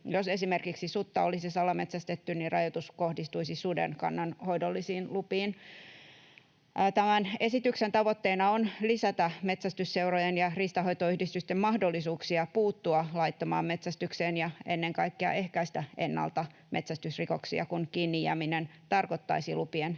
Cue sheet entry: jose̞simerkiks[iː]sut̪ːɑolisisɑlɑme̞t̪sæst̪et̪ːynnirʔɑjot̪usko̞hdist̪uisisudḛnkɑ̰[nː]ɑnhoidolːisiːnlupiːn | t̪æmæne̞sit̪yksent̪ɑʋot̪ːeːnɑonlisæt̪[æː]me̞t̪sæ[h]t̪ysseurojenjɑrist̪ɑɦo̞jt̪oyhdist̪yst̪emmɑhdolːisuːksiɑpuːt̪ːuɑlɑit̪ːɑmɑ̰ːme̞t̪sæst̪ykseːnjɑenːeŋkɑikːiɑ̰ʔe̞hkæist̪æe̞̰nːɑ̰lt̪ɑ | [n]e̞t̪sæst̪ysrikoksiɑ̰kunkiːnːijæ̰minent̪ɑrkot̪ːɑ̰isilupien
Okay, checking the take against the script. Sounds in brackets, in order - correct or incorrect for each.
incorrect, correct, incorrect, incorrect, incorrect

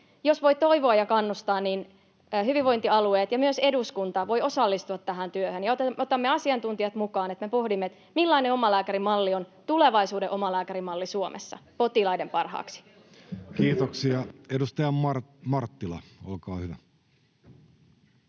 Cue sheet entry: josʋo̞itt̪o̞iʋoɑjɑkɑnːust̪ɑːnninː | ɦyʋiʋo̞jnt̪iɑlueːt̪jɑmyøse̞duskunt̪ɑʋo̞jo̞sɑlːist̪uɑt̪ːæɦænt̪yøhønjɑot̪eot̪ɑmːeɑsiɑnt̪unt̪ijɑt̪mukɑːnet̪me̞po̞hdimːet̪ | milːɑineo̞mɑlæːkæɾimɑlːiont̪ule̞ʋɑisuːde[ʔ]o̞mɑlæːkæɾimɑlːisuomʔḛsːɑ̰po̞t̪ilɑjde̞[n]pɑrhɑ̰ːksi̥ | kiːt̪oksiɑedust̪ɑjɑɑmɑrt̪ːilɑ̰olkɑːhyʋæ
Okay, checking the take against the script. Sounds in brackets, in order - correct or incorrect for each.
correct, incorrect

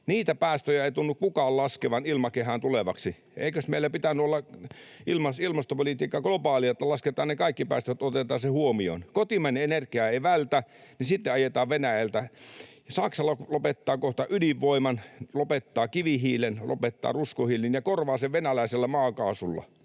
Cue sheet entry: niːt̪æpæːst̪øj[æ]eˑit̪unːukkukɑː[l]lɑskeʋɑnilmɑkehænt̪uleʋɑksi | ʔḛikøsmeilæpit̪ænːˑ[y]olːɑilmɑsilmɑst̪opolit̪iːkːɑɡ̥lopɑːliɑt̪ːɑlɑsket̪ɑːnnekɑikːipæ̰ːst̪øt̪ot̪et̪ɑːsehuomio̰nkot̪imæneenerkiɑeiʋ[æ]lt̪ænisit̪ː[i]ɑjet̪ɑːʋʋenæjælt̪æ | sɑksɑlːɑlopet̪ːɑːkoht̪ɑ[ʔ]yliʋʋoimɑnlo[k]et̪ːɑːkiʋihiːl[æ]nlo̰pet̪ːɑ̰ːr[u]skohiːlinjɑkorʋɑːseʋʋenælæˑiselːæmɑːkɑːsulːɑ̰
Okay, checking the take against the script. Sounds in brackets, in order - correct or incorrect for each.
correct, correct, correct, correct, incorrect, correct, incorrect, incorrect, correct

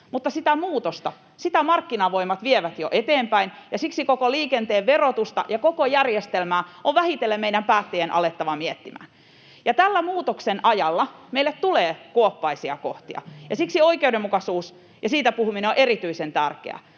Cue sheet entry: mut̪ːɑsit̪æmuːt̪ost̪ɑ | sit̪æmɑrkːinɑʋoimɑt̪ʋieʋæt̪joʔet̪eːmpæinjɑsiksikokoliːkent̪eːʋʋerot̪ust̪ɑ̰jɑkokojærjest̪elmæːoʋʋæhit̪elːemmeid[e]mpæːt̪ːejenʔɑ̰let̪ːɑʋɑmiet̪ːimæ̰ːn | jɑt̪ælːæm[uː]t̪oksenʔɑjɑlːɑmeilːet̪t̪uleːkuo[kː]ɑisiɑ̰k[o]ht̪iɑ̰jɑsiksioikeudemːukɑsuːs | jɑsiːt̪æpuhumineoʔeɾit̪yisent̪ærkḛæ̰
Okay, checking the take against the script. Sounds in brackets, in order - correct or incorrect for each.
incorrect, correct, incorrect, correct

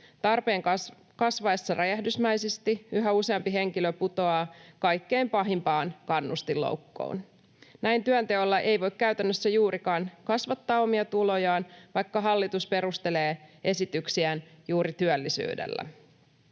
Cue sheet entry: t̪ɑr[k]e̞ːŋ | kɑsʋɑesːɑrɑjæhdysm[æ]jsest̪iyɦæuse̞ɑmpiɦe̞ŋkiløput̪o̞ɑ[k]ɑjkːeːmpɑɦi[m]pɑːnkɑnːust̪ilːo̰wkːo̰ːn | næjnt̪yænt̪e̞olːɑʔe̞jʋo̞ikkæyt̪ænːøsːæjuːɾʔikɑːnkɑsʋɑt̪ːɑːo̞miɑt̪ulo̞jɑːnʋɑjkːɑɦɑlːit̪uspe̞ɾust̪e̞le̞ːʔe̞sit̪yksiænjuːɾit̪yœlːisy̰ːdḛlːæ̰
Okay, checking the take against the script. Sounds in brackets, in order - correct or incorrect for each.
incorrect, correct, correct, correct

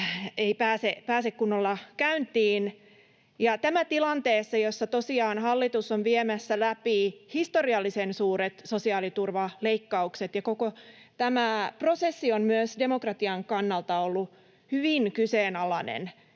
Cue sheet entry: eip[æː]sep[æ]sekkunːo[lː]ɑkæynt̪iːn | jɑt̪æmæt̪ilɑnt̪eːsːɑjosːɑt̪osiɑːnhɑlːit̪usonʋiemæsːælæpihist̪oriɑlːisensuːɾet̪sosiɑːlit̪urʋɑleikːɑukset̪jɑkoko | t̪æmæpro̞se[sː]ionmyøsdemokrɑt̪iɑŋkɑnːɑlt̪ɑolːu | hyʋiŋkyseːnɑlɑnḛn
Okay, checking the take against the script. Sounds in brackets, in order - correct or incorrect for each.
correct, incorrect, correct, correct

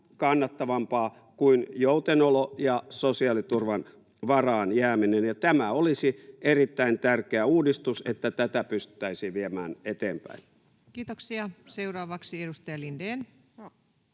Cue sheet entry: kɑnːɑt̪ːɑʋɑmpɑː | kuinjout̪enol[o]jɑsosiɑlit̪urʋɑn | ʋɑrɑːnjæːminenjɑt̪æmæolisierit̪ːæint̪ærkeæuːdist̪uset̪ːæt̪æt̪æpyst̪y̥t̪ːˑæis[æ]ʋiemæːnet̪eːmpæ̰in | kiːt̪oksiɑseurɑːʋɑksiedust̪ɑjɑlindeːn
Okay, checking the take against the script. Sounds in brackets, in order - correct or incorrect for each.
correct, incorrect

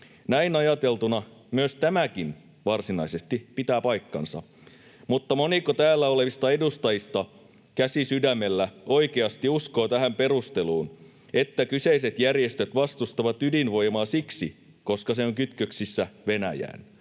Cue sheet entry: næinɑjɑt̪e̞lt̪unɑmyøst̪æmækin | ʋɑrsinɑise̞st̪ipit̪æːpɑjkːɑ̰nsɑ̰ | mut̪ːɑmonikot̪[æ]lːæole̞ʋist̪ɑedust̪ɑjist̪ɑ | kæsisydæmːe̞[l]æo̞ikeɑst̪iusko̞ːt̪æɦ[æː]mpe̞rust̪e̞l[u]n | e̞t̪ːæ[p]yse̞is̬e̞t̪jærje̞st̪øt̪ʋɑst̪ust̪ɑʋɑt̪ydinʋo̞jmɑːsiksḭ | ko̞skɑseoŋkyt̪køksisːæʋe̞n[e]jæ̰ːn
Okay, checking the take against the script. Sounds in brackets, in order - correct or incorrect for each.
incorrect, incorrect, incorrect, incorrect, incorrect, incorrect

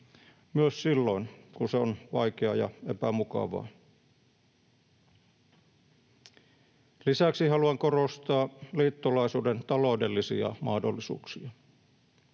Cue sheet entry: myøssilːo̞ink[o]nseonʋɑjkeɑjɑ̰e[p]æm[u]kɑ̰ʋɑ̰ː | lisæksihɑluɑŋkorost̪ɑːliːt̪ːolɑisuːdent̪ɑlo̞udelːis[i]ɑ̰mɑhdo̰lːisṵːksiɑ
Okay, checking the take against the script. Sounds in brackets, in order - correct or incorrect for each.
incorrect, correct, correct, correct

